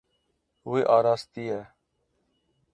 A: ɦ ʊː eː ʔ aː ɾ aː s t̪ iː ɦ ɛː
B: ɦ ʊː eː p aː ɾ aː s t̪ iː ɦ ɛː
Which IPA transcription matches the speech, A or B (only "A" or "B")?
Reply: A